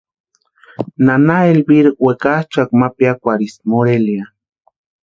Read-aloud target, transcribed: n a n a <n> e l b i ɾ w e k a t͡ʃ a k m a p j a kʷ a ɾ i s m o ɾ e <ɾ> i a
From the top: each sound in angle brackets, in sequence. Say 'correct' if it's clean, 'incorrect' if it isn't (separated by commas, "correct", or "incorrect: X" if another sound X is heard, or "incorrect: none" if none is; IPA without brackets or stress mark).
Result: incorrect: none, incorrect: l